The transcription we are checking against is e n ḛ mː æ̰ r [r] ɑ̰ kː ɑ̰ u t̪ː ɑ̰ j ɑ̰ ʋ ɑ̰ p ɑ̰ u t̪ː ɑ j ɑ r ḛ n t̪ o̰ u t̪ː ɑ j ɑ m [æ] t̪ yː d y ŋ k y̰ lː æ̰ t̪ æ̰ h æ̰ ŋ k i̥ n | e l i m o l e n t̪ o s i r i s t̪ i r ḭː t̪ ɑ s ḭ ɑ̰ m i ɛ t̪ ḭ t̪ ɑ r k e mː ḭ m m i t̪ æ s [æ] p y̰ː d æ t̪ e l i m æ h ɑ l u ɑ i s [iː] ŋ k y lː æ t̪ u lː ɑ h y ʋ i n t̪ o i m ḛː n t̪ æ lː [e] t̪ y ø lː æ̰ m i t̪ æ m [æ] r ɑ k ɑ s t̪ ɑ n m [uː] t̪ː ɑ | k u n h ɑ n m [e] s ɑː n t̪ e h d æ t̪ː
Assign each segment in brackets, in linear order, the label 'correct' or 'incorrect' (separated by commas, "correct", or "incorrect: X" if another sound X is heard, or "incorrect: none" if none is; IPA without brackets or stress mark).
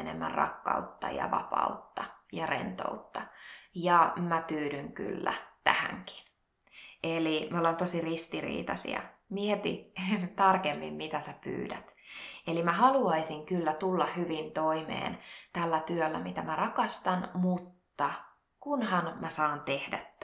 correct, correct, correct, incorrect: i, incorrect: æ, correct, incorrect: u, incorrect: æ